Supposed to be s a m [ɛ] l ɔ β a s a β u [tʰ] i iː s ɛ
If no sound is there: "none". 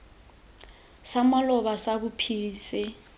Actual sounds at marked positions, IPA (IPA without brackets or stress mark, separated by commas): a, pʰ